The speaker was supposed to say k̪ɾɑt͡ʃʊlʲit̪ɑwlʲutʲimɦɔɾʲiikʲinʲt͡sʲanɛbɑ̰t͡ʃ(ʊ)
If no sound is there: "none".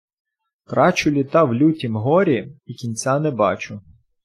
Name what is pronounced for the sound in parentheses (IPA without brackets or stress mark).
ʊ